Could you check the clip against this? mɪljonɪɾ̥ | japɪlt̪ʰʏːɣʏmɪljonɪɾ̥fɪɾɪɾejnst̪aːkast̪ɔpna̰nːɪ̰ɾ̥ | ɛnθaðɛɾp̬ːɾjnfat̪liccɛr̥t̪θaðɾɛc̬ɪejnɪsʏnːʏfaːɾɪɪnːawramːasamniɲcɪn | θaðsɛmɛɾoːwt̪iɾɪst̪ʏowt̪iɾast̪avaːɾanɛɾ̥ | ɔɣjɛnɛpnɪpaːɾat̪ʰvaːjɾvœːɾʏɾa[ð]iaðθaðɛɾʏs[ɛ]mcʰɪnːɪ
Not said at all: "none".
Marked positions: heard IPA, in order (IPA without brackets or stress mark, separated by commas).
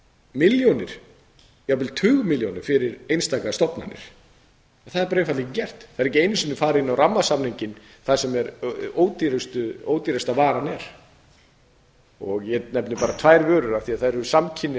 θ, a